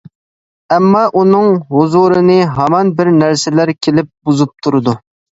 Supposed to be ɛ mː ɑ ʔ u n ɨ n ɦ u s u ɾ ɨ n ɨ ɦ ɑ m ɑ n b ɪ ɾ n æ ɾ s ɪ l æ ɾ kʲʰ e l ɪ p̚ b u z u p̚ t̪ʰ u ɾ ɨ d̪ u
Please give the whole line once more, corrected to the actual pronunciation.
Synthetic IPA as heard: ɛ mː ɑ ʔ u n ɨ ŋ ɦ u z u ɾ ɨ n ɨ ɦ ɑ m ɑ n b ɪ ɾ n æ ɾ s ɪ l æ ɾ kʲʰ e l ɪ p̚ b u z u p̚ t̪ʰ u ɾ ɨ d̪ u